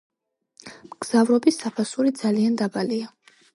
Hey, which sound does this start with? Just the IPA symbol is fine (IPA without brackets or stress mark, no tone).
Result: m